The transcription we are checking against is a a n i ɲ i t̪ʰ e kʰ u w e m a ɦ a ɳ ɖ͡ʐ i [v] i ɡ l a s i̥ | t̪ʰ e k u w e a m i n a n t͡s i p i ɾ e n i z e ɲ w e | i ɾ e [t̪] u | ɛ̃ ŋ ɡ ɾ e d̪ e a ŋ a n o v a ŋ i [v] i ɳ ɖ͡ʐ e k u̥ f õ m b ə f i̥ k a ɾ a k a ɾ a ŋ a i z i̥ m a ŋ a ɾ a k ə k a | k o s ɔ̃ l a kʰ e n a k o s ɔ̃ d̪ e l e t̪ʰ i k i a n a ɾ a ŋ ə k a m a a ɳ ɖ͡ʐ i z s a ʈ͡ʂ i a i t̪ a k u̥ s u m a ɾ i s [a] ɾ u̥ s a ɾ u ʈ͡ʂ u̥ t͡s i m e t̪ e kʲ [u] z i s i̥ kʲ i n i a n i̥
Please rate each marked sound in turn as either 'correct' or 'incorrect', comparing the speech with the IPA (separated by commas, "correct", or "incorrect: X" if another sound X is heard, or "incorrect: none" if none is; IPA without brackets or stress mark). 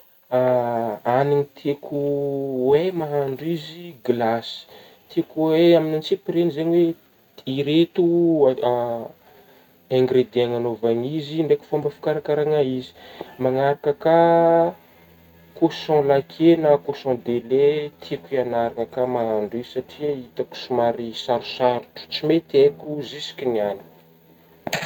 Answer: incorrect: z, correct, incorrect: z, correct, correct